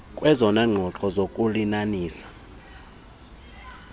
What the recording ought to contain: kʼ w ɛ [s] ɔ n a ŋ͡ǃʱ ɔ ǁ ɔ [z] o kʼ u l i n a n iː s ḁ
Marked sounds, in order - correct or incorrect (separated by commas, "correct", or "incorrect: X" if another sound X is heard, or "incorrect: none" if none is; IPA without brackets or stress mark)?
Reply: incorrect: z, correct